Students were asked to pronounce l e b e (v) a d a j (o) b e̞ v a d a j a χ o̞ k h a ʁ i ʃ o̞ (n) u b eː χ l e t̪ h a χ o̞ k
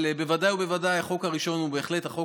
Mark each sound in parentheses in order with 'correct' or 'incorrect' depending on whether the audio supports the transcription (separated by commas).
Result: correct, incorrect, correct